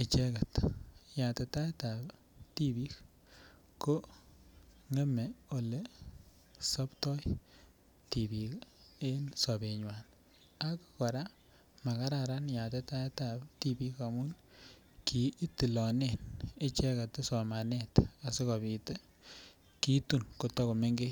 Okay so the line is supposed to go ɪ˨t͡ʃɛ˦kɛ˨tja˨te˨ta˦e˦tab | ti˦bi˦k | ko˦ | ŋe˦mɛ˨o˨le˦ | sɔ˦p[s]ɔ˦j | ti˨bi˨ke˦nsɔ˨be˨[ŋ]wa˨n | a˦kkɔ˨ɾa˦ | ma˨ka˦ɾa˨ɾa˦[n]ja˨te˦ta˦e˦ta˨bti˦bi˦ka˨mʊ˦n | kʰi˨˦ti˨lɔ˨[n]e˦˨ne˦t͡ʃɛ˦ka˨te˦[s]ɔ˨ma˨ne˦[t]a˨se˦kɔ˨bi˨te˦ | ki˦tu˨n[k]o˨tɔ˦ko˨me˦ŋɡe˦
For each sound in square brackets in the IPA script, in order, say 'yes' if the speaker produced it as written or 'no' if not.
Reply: no, no, yes, yes, yes, yes, yes

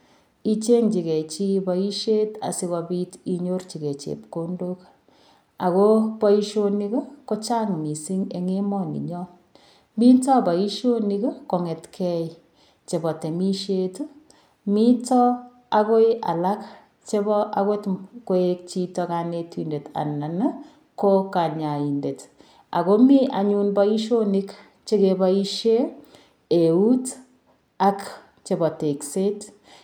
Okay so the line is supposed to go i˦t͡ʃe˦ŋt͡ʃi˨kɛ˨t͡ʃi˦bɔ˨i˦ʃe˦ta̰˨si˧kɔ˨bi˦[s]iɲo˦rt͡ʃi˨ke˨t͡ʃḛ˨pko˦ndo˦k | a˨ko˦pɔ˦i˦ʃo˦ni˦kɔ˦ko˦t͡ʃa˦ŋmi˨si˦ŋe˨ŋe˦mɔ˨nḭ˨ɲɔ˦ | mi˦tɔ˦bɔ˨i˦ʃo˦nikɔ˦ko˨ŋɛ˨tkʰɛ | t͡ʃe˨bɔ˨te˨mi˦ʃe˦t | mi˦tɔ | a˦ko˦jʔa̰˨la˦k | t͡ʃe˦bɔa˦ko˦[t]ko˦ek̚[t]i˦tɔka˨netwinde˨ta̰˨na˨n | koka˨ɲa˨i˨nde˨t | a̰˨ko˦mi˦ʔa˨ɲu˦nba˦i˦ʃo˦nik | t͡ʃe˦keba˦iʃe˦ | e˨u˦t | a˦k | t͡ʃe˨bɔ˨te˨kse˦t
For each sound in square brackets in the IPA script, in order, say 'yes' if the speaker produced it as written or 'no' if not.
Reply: no, yes, no

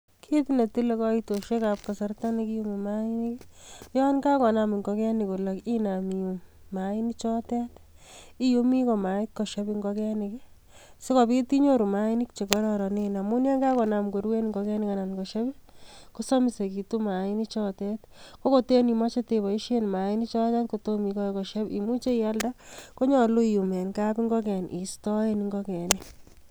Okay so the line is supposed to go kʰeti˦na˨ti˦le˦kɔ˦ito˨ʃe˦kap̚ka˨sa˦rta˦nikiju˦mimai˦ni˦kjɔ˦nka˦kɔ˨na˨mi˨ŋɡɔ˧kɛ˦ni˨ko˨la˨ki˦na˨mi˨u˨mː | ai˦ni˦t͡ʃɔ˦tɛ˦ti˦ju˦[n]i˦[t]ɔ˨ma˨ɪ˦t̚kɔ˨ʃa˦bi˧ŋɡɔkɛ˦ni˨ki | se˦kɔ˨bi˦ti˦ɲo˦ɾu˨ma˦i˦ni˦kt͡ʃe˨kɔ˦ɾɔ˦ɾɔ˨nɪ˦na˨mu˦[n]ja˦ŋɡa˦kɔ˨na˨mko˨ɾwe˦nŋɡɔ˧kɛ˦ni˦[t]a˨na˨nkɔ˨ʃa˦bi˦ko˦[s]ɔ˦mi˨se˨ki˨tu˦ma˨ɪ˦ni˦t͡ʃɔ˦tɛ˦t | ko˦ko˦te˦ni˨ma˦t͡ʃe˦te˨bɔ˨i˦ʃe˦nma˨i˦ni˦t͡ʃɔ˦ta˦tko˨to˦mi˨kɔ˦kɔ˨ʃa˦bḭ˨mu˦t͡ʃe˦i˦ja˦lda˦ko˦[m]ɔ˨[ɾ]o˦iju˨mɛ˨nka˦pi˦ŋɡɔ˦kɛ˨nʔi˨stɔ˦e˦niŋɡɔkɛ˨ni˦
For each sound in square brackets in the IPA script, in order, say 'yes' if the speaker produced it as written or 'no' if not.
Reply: no, no, yes, no, yes, no, no

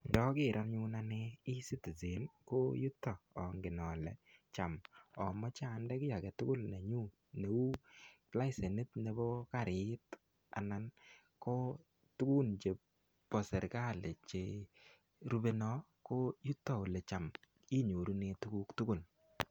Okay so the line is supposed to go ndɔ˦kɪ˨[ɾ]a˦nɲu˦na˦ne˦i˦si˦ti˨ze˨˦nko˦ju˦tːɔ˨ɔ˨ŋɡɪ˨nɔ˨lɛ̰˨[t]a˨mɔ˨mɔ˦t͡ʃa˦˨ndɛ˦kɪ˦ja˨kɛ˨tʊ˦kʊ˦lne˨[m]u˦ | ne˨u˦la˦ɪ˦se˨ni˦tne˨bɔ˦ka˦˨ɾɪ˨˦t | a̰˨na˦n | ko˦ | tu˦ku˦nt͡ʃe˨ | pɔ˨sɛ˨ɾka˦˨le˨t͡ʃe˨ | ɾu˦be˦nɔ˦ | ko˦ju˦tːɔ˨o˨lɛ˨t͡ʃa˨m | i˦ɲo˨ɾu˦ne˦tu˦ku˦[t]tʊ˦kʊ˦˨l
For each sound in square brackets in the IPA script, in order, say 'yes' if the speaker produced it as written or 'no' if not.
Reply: yes, no, no, no

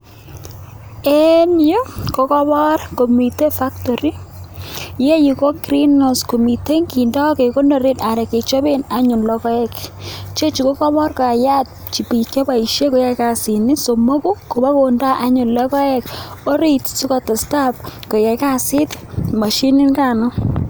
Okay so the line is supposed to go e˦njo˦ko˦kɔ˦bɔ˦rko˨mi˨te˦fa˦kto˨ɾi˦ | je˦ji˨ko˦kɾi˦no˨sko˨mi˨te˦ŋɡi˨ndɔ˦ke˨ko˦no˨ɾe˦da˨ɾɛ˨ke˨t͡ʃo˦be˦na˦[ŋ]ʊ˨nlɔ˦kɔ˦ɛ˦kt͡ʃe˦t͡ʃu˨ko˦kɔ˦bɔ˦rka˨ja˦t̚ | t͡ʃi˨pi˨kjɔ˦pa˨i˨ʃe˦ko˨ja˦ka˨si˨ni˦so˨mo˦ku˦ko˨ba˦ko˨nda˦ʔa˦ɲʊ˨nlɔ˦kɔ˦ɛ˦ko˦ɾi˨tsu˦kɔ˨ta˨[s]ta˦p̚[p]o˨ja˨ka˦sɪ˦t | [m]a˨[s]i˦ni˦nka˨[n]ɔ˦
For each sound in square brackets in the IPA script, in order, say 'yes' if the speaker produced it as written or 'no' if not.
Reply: no, yes, no, yes, no, yes

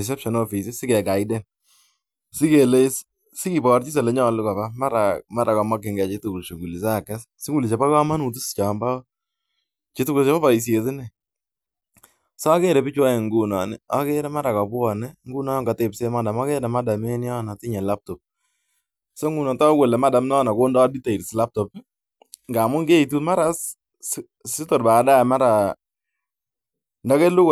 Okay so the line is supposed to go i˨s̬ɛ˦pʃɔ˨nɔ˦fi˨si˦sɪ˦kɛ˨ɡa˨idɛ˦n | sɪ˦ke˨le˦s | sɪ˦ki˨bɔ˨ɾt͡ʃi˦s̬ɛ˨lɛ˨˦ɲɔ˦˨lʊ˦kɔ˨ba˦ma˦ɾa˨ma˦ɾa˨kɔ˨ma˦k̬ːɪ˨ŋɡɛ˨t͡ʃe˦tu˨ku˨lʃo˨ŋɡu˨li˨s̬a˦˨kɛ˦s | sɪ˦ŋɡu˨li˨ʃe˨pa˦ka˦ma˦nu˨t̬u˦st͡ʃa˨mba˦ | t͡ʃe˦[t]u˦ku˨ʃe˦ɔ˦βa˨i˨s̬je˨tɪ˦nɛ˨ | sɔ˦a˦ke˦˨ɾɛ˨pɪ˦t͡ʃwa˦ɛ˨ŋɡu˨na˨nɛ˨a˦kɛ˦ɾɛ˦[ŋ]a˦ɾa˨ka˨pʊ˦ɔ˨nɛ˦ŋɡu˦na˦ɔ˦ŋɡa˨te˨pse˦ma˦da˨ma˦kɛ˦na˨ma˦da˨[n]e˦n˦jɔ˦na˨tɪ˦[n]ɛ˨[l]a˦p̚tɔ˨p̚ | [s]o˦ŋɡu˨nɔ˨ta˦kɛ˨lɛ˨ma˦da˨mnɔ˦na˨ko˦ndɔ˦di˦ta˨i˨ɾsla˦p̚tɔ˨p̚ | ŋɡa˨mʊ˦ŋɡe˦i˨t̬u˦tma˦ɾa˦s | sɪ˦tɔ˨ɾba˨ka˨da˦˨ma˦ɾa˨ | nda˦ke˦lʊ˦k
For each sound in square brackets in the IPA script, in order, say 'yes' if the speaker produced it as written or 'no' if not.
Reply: yes, no, no, no, yes, yes

